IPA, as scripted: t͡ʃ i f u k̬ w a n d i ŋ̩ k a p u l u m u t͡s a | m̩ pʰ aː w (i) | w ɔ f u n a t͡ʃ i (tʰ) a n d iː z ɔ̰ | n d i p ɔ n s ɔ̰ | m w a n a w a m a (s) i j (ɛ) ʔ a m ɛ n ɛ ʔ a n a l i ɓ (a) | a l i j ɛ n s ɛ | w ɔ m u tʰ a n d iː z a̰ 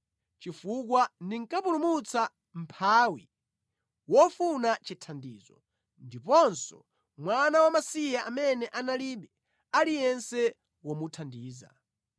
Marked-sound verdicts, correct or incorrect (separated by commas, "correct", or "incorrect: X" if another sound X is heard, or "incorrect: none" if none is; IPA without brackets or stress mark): correct, correct, correct, incorrect: a, incorrect: ɛ